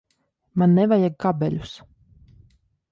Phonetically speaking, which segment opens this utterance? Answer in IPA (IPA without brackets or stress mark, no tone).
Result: m